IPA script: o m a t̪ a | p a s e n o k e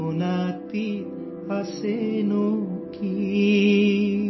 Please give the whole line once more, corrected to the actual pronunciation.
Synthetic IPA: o n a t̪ i | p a s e n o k i